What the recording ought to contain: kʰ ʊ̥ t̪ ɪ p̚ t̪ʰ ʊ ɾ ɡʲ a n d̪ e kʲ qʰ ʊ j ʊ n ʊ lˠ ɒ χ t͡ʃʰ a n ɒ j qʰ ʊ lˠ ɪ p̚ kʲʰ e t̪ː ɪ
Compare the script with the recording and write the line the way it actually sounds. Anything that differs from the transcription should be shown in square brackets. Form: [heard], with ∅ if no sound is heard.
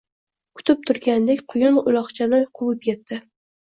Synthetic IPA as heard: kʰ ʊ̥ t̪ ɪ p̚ t̪ʰ ʊ ɾ ɡʲ a n d̪ e kʲ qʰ ʊ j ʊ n ʊ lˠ ɒ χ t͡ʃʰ a n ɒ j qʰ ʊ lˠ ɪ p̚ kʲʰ e t̪ː ɪ